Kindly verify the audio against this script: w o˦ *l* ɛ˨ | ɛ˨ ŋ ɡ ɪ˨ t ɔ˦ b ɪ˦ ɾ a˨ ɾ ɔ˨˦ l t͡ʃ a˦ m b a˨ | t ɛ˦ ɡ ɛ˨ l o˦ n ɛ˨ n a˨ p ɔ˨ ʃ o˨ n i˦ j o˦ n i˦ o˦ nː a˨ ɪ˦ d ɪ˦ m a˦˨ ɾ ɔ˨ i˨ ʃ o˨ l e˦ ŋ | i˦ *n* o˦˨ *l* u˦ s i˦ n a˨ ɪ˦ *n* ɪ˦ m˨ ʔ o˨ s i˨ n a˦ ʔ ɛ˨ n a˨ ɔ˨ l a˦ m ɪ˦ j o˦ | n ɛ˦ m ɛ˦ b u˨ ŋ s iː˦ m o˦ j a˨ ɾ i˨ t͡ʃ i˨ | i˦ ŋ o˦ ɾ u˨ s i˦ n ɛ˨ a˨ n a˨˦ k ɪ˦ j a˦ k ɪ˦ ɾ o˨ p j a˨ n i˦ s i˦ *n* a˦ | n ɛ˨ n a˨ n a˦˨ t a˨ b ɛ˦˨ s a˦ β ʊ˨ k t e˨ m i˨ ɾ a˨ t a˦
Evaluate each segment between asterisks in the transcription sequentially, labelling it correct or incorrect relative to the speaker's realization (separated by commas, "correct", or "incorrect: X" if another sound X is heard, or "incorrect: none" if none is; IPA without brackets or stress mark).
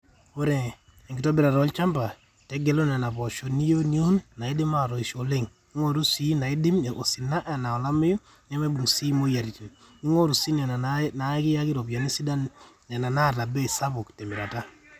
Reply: incorrect: ɾ, incorrect: ŋ, incorrect: ɾ, incorrect: d, incorrect: d